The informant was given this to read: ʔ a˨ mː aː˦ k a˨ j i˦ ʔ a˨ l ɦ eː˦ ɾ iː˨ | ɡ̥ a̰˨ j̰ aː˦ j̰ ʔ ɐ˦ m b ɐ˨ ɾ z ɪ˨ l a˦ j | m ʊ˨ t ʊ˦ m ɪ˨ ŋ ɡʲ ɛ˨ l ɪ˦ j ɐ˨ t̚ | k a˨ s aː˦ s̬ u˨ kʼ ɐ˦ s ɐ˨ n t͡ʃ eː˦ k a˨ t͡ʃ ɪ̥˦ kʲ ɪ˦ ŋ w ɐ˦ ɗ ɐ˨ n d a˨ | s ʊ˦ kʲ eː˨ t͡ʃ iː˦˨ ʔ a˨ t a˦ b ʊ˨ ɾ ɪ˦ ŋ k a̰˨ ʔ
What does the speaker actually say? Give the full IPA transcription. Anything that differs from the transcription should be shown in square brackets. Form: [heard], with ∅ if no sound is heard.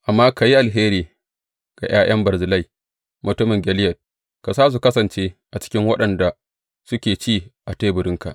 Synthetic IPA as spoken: ʔ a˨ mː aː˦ k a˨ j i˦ ʔ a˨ l ɦ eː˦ ɾ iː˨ | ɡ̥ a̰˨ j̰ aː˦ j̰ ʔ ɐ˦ m b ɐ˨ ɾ z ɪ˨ l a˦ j | m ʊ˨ t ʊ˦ m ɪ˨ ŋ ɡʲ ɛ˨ l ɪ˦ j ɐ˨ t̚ | k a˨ s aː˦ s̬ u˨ [k] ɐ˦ s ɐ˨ n t͡ʃ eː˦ [ʔ] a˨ t͡ʃ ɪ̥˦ kʲ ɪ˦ ŋ w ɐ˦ ɗ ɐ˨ n d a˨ | s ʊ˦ kʲ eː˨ t͡ʃ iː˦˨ ʔ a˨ t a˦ b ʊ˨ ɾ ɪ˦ ŋ k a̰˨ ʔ